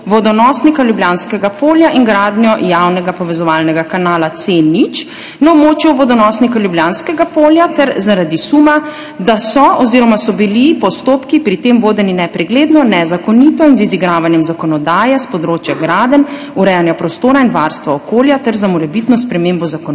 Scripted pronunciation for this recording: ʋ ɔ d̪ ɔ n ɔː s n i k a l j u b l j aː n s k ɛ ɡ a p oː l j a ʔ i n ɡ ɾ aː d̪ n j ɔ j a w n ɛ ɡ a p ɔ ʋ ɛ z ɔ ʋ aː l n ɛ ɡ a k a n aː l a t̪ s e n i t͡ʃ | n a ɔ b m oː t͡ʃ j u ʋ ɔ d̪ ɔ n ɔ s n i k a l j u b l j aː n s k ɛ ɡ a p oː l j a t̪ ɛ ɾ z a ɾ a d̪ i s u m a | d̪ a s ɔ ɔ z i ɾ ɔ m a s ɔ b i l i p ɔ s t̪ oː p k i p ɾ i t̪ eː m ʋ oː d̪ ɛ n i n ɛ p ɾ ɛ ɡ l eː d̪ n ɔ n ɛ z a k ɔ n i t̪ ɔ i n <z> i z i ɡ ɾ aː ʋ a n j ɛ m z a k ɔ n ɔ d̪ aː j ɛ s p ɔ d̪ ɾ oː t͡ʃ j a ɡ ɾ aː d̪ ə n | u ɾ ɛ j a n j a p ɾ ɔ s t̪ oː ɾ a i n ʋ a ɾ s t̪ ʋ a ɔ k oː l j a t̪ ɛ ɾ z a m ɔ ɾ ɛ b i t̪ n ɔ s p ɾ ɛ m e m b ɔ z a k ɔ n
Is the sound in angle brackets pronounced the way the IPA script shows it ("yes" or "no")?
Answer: yes